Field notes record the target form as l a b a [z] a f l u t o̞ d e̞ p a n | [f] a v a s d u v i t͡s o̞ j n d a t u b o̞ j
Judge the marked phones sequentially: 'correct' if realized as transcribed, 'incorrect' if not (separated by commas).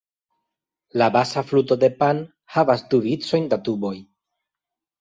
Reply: incorrect, incorrect